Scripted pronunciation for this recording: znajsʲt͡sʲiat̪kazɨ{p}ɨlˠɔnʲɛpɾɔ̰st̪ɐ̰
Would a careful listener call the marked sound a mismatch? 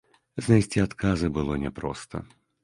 yes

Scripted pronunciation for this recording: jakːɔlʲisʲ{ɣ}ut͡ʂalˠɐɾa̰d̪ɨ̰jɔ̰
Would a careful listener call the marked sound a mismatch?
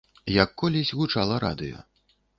no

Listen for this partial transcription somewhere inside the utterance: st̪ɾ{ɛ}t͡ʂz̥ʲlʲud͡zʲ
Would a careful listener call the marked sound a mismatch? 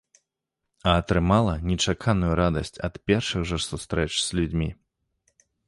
no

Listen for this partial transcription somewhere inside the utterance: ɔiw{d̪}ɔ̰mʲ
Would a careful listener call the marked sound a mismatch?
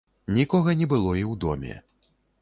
no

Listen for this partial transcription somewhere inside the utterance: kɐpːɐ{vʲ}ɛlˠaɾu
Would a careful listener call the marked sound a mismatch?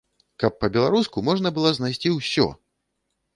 yes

